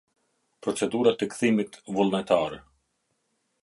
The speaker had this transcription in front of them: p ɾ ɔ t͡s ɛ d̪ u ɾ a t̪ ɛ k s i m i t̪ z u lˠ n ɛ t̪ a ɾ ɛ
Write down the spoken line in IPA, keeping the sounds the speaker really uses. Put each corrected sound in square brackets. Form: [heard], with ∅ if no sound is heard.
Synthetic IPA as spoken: p ɾ ɔ t͡s ɛ d̪ u ɾ a t̪ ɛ k [θ] i m i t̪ [v] u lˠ n ɛ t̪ a ɾ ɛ